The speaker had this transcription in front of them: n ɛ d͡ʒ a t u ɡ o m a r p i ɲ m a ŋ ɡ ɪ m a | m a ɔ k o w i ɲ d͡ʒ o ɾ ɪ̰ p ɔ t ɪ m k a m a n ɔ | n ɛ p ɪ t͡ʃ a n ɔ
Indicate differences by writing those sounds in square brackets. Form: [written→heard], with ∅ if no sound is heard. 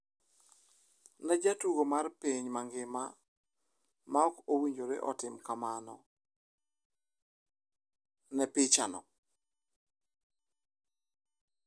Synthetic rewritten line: n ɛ d͡ʒ a t u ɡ o m a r p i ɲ m a ŋ ɡ ɪ m a | m a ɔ k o w i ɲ d͡ʒ o ɾ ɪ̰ [p→ʔ] ɔ t ɪ m k a m a n ɔ | n ɛ p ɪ t͡ʃ a n ɔ